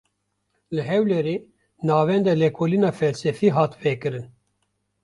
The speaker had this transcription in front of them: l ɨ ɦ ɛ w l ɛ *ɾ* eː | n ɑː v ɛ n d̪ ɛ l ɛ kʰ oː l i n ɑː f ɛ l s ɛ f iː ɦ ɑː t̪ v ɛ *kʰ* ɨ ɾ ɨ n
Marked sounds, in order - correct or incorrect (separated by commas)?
correct, incorrect